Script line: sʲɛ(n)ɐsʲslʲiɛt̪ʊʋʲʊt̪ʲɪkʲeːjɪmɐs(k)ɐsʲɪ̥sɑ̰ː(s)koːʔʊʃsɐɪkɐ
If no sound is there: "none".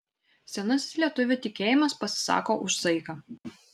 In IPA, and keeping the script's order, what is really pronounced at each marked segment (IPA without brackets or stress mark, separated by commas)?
n, p, none